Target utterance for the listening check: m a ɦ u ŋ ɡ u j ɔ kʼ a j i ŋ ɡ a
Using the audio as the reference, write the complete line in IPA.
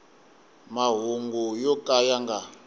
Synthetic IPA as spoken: m a ɦ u ŋ ɡ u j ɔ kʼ a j a ŋ ɡ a